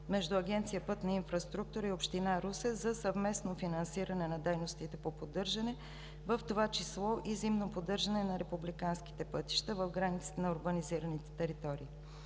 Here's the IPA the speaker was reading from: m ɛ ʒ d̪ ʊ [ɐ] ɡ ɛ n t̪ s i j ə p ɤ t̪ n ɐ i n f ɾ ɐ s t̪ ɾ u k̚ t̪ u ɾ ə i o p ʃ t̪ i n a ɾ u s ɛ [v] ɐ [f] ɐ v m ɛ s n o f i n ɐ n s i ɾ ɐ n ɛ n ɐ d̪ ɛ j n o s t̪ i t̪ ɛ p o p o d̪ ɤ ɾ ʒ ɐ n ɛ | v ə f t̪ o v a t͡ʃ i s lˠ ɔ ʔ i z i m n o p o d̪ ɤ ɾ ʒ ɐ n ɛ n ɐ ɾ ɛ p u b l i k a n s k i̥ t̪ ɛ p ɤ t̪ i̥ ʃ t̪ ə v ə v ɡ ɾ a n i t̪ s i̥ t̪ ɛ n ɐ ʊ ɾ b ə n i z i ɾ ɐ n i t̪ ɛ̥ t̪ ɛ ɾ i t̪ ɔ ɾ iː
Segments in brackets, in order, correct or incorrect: correct, incorrect: z, incorrect: s

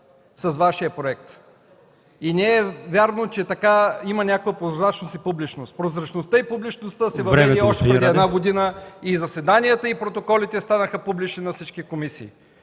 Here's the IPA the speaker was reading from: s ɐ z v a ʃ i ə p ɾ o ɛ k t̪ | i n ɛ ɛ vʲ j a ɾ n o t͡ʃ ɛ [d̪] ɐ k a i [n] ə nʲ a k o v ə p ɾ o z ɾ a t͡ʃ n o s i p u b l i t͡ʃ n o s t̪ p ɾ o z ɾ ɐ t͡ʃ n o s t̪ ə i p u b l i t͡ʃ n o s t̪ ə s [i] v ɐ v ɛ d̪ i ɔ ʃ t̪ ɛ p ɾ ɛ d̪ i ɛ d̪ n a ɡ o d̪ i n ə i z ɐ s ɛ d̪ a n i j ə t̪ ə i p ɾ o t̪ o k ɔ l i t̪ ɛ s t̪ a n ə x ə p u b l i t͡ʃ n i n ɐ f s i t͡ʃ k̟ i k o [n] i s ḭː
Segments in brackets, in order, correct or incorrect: incorrect: t̪, incorrect: m, incorrect: ɛ, incorrect: m

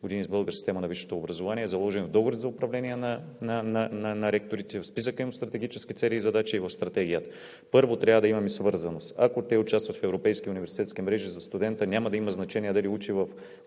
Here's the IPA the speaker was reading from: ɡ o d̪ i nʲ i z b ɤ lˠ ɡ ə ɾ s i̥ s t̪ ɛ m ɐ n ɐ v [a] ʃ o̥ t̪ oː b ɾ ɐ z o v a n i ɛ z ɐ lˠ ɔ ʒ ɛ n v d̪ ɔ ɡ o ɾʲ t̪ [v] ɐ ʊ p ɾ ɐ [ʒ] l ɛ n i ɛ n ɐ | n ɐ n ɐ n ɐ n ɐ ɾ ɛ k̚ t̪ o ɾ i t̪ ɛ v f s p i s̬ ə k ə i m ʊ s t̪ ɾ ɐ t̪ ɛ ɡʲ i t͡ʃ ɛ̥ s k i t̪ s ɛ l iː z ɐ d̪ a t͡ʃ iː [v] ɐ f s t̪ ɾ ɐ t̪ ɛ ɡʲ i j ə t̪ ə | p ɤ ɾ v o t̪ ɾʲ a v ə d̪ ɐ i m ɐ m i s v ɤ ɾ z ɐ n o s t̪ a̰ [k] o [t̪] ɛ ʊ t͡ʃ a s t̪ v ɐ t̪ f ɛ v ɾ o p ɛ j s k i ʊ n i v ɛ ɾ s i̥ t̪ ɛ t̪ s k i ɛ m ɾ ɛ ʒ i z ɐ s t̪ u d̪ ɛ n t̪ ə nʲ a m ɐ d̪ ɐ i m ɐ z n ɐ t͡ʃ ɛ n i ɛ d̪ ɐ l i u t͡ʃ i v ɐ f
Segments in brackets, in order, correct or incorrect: incorrect: i, incorrect: z, incorrect: v, correct, correct, correct

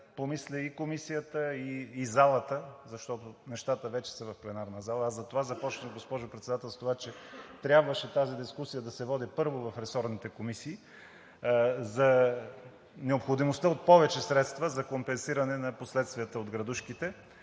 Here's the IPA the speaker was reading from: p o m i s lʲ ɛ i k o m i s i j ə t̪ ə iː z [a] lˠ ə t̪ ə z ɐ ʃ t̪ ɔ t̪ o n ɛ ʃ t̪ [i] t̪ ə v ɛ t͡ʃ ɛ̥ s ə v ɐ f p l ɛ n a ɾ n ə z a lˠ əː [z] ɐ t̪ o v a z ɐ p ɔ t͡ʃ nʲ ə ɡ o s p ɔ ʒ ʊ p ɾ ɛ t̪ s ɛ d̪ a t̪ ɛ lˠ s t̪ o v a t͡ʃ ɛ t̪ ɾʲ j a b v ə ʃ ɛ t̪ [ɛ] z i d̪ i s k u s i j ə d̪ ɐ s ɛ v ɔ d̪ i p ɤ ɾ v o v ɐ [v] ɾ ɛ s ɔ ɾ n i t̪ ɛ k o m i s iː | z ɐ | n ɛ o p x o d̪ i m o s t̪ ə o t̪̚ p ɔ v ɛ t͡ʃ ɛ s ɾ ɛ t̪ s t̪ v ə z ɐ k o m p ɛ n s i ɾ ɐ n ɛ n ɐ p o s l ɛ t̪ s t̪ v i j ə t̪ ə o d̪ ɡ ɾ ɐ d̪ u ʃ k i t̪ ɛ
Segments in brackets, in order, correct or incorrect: correct, incorrect: a, correct, incorrect: a, incorrect: f

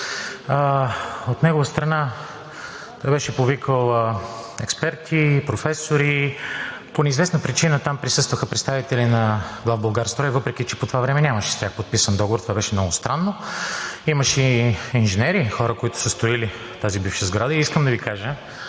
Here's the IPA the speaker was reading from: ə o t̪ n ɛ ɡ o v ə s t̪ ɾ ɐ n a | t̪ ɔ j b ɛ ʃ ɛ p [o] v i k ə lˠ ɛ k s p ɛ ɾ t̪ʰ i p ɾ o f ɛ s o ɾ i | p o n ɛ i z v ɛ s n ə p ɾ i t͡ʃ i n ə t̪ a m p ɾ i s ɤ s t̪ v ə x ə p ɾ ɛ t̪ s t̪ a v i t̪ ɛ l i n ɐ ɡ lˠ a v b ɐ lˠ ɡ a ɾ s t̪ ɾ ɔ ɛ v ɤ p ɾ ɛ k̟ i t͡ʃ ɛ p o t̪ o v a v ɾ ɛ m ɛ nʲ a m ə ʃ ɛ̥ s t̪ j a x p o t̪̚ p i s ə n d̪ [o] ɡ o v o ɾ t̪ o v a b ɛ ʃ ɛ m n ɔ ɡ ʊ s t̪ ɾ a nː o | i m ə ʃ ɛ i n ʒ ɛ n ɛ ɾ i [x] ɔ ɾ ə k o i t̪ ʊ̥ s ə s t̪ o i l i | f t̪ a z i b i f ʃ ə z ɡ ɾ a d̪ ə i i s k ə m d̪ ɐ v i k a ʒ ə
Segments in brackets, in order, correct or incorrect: correct, incorrect: ɔ, correct

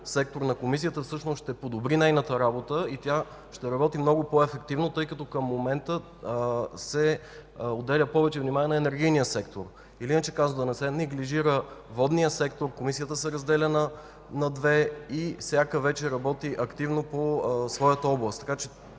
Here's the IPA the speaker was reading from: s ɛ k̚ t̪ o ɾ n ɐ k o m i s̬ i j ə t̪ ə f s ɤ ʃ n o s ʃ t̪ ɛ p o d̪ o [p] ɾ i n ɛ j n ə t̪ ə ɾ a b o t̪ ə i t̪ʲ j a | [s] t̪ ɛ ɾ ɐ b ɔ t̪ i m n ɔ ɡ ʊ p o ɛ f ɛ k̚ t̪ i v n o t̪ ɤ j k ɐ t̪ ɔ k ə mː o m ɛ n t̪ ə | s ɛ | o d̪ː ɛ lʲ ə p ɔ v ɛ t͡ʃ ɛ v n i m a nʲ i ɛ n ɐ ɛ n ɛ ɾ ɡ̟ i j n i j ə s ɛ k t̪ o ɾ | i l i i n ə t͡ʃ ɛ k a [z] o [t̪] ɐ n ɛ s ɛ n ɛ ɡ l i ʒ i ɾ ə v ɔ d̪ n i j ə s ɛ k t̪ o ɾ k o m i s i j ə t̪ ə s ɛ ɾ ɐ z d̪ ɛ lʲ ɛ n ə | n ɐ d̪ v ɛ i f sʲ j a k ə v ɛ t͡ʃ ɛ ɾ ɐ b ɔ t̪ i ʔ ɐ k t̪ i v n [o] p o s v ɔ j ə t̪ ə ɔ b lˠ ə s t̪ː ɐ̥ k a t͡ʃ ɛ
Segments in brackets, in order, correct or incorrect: incorrect: b, incorrect: ʃ, correct, incorrect: d̪, correct

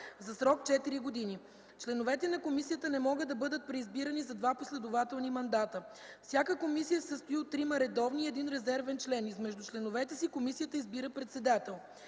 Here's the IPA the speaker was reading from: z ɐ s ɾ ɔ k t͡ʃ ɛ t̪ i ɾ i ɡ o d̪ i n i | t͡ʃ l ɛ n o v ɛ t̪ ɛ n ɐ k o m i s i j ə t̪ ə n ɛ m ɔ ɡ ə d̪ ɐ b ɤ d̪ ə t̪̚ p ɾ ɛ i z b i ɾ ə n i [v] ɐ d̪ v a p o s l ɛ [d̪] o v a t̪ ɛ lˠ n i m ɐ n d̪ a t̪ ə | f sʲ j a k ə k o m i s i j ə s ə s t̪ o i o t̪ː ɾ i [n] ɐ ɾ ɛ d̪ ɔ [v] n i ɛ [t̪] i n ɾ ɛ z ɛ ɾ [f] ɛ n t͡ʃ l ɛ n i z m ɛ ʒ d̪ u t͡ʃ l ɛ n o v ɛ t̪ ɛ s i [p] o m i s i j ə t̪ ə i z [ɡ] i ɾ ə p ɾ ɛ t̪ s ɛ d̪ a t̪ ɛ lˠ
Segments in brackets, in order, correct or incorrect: incorrect: z, correct, incorrect: m, correct, incorrect: d̪, incorrect: v, incorrect: k, incorrect: b

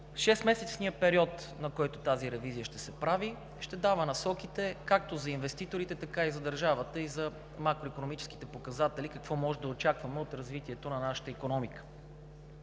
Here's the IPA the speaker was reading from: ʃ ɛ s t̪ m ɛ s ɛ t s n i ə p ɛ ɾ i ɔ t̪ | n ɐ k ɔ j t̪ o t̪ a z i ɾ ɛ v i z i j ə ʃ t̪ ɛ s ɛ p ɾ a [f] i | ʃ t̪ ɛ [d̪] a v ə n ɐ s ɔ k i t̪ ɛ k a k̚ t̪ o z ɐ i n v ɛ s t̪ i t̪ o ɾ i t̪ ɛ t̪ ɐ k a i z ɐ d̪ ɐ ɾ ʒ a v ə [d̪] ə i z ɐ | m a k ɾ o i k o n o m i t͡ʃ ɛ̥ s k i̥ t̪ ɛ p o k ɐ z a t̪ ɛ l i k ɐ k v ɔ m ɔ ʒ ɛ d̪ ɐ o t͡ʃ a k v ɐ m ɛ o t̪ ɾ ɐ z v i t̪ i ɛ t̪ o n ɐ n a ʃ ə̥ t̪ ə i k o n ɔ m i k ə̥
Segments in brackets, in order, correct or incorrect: incorrect: v, correct, incorrect: t̪

